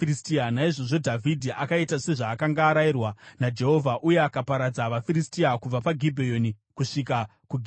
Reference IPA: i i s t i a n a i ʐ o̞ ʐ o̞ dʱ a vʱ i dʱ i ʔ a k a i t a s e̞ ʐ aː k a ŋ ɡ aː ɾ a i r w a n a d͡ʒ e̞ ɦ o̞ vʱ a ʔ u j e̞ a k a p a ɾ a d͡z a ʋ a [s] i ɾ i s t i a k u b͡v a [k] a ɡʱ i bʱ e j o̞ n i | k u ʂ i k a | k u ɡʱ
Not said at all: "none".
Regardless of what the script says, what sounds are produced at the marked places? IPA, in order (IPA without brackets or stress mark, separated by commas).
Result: f, p